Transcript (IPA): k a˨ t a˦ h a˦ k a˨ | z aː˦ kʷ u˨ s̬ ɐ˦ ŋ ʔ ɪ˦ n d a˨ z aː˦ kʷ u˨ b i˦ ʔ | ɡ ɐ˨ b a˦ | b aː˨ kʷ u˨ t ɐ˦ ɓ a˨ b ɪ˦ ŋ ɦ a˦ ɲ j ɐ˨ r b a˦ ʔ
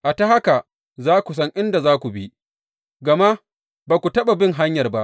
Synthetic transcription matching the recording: ʔ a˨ t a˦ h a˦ k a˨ | z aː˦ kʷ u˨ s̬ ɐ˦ ŋ ʔ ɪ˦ n d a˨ z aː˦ kʷ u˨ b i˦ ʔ | ɡ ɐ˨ m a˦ | b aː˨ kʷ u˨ t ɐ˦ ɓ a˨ b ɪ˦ ŋ ɦ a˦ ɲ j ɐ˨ r b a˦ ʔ